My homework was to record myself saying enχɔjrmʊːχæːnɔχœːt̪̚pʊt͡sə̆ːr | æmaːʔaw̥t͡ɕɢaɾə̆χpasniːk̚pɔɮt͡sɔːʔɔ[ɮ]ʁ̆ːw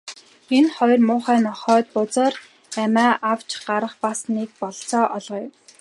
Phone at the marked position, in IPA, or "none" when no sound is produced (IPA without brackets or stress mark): ɮ